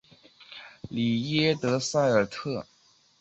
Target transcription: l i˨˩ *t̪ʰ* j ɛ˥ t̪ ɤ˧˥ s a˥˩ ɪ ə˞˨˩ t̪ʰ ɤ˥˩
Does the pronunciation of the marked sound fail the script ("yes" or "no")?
yes